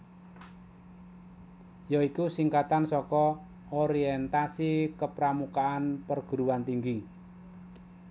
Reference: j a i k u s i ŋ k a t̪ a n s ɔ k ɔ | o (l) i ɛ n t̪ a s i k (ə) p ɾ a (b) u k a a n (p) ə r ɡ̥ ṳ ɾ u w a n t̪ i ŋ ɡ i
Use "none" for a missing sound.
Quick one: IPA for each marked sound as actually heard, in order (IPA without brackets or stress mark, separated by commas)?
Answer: ɾ, ə, m, p